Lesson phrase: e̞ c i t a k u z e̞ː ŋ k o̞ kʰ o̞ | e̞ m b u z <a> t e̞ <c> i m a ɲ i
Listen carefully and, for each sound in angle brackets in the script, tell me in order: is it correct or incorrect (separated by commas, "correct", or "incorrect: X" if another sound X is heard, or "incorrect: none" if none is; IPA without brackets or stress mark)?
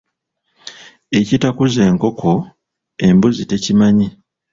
incorrect: i, correct